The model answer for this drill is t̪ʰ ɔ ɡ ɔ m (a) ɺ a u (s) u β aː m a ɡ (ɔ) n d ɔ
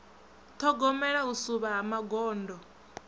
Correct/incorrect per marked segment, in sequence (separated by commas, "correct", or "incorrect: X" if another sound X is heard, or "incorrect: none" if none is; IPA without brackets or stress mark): incorrect: ɛ, correct, incorrect: ɔː